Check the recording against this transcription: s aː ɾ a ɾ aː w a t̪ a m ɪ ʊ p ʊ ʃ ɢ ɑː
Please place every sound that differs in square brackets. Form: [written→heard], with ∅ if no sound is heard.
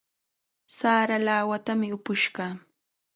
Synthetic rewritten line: s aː ɾ a [ɾ→l] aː w a t̪ a m ɪ ʊ p ʊ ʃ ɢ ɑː